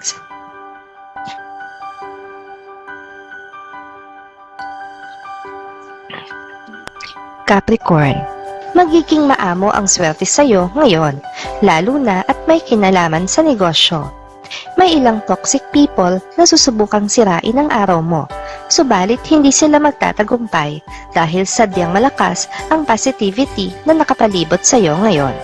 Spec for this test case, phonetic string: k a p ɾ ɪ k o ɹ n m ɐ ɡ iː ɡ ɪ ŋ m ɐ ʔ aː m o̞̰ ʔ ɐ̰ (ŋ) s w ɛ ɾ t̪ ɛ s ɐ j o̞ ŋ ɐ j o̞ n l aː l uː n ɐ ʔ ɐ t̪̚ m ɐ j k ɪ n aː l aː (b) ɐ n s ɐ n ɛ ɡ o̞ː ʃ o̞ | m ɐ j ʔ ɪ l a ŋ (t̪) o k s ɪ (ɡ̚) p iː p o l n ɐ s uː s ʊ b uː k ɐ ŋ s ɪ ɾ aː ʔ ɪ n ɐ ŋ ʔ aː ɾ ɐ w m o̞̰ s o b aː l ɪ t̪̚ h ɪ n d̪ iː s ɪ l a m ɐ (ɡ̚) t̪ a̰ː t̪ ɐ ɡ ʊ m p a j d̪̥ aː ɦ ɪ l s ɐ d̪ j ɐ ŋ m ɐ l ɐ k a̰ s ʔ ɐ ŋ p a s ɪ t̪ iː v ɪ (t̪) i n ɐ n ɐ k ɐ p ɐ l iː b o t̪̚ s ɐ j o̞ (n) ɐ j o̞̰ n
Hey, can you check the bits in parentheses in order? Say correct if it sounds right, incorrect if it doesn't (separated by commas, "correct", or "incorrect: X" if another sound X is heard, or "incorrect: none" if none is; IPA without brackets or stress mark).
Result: correct, incorrect: m, correct, incorrect: k̚, correct, correct, incorrect: ŋ